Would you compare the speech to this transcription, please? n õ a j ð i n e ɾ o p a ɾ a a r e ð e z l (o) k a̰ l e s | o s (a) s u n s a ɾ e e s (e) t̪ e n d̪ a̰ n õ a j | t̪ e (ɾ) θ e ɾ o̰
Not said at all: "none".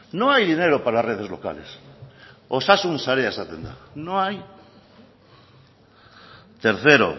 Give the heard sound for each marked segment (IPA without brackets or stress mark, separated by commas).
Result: o, a, a, ɾ